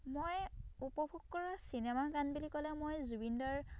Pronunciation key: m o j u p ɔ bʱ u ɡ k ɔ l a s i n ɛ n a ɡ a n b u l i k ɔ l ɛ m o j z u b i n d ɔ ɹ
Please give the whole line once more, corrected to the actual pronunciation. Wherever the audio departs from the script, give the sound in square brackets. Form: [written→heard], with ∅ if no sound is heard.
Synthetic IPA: m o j u p ɔ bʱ u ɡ k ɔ [l→ɹ] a s i n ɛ [n→m] a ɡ a n b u l i k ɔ l ɛ m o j z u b i n d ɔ ɹ